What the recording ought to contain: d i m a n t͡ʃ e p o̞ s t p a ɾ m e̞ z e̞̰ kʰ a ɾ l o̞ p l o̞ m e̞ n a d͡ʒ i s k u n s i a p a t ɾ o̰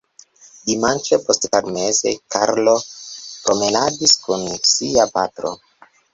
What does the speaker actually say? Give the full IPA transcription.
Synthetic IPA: d i m a n t͡ʃ e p o̞ s t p a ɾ m e̞ z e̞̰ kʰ a ɾ l o̞ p ɾ o̞ m e̞ n a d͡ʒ i s k u n s i a p a t ɾ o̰